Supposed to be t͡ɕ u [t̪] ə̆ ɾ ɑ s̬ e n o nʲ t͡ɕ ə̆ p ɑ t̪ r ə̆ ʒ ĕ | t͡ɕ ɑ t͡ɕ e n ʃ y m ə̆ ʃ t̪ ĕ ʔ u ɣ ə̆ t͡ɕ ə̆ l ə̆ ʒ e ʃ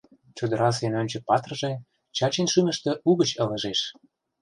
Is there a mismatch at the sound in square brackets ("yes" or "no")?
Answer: yes